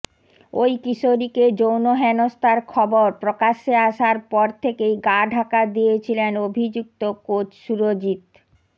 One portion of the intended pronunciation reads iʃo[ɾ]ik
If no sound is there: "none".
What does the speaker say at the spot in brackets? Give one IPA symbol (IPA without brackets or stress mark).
ɾ